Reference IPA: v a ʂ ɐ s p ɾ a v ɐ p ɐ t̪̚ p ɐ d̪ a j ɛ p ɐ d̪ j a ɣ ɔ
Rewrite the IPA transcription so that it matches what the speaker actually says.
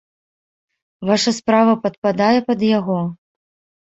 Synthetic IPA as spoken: v a ʂ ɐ s p ɾ a v ɐ p ɐ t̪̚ p a d̪ a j ɛ p ɐ d̪ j a ɣ ɔ